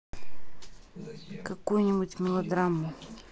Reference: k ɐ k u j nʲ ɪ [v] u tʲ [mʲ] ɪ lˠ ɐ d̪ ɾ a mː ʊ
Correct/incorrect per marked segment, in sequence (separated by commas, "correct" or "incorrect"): incorrect, correct